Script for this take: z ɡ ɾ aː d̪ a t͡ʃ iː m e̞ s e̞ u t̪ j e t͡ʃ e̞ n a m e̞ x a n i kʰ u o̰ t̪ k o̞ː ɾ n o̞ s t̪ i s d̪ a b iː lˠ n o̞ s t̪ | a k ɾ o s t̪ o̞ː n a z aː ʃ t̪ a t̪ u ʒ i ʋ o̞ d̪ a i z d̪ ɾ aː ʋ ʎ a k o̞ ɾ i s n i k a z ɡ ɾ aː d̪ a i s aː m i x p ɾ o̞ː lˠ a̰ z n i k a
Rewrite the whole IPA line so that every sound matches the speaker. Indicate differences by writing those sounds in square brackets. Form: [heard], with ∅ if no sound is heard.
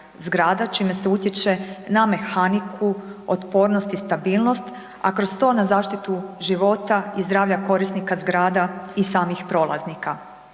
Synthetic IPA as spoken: z ɡ ɾ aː d̪ a t͡ʃ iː m e̞ s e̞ u t̪ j e t͡ʃ e̞ n a m e̞ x a n i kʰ u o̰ t̪ [p] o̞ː ɾ n o̞ s t̪ i s [t̪] a b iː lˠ n o̞ s t̪ | a k ɾ o s t̪ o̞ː n a z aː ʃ t̪ [i] t̪ u ʒ i ʋ o̞ [t̪] a i z d̪ ɾ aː ʋ ʎ a k o̞ ɾ i s n i k a z ɡ ɾ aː d̪ a i s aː m i x p ɾ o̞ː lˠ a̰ z n i k a